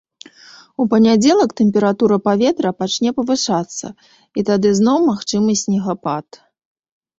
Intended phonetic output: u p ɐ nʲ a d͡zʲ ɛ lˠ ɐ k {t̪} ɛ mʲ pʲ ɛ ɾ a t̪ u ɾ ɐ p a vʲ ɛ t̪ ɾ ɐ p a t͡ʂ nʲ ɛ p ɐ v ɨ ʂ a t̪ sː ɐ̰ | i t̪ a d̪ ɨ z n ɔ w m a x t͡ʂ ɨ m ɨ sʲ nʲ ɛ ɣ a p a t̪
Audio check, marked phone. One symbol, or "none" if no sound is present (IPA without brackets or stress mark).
t̪